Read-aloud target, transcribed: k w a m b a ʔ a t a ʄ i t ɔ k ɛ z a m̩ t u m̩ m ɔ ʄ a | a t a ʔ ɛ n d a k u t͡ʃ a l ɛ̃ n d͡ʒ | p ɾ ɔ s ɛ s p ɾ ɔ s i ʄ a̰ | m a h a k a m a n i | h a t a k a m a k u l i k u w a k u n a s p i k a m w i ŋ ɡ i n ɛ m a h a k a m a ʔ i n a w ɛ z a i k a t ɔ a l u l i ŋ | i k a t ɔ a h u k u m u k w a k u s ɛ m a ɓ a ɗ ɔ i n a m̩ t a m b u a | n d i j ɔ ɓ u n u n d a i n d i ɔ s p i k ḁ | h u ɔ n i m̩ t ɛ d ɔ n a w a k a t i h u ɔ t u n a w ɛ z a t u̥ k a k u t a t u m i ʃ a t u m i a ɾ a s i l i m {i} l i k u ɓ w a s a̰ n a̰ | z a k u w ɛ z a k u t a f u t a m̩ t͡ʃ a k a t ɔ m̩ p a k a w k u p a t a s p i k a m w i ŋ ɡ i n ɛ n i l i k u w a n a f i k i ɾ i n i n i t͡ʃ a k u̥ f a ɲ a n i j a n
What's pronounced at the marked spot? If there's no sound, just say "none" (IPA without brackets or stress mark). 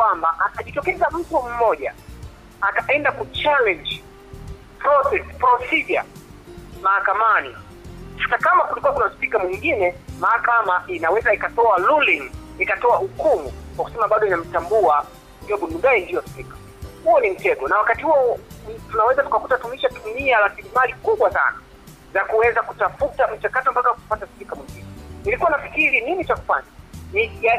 a